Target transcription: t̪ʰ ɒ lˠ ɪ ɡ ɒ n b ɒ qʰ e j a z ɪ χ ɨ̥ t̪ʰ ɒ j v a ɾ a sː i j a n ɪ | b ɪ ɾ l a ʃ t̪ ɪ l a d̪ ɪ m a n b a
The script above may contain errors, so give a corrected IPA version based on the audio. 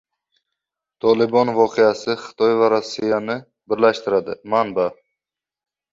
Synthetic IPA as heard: t̪ʰ ɒ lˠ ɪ b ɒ n v ɒ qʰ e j a s ɪ χ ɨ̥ t̪ʰ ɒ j v a ɾ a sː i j a n ɪ | b ɪ ɾ l a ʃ t̪ ɪ ɾ a d̪ ɪ m a n b a